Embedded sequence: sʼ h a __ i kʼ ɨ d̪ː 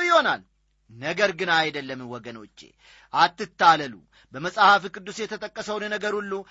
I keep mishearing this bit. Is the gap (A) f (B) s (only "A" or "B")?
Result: A